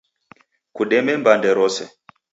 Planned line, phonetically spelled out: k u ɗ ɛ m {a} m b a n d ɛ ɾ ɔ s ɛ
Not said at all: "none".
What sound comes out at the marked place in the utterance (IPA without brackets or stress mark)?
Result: ɛ